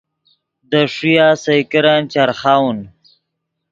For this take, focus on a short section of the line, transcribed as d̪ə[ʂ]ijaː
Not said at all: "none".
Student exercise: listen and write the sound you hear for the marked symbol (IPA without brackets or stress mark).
ʂ